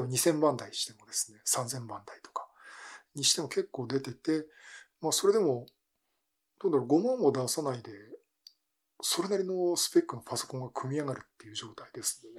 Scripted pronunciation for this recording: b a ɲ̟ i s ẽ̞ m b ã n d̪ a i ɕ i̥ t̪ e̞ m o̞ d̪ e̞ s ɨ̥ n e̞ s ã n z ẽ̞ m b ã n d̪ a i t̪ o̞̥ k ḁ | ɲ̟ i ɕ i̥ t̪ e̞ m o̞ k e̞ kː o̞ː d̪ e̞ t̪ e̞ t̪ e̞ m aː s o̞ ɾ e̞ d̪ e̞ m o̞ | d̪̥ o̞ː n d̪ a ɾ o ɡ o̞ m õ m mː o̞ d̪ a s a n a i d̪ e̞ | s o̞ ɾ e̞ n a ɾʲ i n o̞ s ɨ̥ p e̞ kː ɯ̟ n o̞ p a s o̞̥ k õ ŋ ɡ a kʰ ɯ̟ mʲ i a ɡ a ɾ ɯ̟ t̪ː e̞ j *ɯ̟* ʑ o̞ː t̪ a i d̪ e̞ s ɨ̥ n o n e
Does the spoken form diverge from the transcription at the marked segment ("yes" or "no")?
no